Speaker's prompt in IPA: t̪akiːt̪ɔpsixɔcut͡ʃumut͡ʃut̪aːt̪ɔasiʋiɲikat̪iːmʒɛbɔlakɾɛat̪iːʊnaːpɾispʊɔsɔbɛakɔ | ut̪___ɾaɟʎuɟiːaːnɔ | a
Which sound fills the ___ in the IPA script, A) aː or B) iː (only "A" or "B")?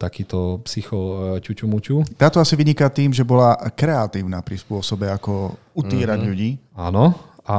B